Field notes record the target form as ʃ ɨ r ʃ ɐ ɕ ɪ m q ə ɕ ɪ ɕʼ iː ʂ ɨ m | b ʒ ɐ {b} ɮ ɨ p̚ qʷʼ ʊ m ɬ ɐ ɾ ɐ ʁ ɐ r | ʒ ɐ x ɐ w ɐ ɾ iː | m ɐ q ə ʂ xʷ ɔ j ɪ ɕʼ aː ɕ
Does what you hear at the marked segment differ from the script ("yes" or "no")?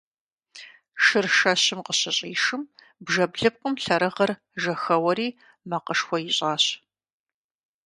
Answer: no